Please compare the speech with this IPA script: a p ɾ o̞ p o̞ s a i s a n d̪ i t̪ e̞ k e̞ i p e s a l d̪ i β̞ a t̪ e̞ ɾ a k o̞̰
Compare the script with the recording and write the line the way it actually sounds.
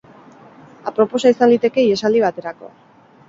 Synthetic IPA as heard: a p ɾ o̞ p o̞ s a i s a n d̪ i t̪ e̞ k e̞ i e s a l d̪ i β̞ a t̪ e̞ ɾ a k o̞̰